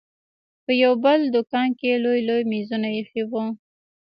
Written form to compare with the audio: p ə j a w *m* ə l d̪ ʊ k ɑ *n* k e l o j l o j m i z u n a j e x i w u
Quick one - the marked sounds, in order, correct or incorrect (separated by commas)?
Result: incorrect, correct